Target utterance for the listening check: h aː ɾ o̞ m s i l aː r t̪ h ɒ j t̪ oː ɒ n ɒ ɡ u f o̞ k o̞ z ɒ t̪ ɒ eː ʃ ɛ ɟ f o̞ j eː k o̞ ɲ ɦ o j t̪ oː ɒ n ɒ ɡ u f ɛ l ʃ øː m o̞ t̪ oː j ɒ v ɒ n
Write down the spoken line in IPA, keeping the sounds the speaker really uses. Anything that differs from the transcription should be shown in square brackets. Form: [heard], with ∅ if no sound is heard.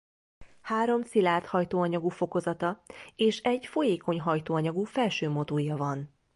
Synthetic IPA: h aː ɾ o̞ m s i l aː r t̪ h ɒ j t̪ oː ɒ [ɲ] ɒ ɡ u f o̞ k o̞ z ɒ t̪ ɒ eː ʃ ɛ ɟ f o̞ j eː k o̞ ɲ ɦ [ɒ] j t̪ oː ɒ [ɲ] ɒ ɡ u f ɛ l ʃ øː m o̞ t̪ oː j ɒ v ɒ n